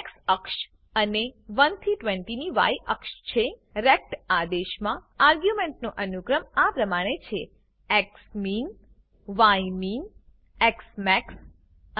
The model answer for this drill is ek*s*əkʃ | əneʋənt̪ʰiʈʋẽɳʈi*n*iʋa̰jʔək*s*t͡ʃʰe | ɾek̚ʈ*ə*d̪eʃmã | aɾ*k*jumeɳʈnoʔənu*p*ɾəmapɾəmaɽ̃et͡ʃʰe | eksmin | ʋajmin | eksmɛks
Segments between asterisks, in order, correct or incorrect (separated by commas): correct, correct, incorrect, incorrect, incorrect, incorrect